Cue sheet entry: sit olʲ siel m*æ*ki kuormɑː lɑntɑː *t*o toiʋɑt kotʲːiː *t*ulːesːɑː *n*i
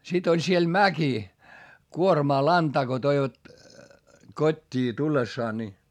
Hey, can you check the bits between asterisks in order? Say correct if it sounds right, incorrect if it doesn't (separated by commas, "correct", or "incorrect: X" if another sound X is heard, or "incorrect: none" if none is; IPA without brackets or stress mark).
correct, incorrect: k, correct, correct